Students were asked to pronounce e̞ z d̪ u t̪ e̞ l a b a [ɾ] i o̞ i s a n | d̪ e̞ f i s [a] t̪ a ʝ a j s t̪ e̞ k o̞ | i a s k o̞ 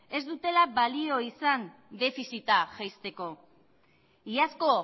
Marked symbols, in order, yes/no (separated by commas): no, no